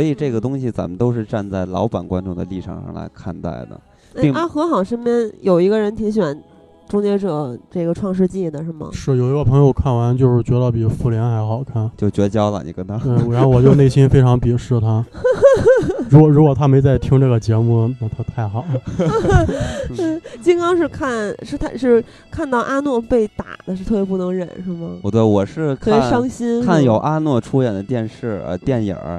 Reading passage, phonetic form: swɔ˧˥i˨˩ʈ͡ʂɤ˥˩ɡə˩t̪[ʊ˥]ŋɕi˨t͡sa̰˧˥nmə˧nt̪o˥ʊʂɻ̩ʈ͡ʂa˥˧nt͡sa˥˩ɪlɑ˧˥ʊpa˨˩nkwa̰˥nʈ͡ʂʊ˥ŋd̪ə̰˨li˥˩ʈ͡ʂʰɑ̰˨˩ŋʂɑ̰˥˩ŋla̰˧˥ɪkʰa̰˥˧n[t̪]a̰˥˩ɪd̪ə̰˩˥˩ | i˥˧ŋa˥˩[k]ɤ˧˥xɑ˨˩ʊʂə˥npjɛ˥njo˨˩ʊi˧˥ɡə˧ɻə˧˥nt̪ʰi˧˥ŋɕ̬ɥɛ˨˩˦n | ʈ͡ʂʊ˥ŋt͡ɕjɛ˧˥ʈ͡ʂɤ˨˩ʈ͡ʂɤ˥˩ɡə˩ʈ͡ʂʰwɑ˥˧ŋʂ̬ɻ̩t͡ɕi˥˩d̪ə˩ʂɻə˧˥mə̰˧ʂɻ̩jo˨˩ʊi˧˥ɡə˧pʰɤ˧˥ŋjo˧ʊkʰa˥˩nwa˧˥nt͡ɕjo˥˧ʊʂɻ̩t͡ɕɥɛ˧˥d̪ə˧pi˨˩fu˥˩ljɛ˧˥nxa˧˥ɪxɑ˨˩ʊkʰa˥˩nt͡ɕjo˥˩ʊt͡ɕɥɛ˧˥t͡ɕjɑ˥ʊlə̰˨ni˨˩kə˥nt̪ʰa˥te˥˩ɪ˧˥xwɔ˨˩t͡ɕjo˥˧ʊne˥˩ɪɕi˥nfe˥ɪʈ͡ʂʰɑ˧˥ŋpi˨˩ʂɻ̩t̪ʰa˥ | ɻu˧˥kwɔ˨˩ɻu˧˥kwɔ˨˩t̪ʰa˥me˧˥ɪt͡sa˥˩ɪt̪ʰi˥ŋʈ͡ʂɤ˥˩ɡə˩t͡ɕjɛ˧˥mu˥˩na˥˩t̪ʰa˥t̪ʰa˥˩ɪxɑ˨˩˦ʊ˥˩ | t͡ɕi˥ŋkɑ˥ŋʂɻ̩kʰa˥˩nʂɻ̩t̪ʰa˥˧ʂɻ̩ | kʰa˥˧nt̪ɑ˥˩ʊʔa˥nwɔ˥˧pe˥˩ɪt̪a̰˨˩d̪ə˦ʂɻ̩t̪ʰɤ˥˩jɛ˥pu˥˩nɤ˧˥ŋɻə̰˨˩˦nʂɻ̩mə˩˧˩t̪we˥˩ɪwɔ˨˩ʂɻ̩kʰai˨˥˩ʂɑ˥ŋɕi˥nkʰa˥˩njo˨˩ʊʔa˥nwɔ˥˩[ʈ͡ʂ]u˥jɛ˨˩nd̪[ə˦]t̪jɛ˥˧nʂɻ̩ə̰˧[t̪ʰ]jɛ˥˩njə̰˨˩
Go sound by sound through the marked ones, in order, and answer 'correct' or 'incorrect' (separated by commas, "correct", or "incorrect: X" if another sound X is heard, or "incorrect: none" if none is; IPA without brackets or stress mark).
correct, correct, incorrect: x, incorrect: ʈ͡ʂʰ, correct, incorrect: t̪